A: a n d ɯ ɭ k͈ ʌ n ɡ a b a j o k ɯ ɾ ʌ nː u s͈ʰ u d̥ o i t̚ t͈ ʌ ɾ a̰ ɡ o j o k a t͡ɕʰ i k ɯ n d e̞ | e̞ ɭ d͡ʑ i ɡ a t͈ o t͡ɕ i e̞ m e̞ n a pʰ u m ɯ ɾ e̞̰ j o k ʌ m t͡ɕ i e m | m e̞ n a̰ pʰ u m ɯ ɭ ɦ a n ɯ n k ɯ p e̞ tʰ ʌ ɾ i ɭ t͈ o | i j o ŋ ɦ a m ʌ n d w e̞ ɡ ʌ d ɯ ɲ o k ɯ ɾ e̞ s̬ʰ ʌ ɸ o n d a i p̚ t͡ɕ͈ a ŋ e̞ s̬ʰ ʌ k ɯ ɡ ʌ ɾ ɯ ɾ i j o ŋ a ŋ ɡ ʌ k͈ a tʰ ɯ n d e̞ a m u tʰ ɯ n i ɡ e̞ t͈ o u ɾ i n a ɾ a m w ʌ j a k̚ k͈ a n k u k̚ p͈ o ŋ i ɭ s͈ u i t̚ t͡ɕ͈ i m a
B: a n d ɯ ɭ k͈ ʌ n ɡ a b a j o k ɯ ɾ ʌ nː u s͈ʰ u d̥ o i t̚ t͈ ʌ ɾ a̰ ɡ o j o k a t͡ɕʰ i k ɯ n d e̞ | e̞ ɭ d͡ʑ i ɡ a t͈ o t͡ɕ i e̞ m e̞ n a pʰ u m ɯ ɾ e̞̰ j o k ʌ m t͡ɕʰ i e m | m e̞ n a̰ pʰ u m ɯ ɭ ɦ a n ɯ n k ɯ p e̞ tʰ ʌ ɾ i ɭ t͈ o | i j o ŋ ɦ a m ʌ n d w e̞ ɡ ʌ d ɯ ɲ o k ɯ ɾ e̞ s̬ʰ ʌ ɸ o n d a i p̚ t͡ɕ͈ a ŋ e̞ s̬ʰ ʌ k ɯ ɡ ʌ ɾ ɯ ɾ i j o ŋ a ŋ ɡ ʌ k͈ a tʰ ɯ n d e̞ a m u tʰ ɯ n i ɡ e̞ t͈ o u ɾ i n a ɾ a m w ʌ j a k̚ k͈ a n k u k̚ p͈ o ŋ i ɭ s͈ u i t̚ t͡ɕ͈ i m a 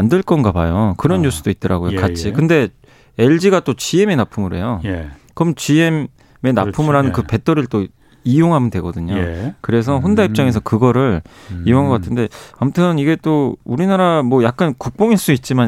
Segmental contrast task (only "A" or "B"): A